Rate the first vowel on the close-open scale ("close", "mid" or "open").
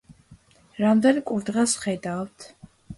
open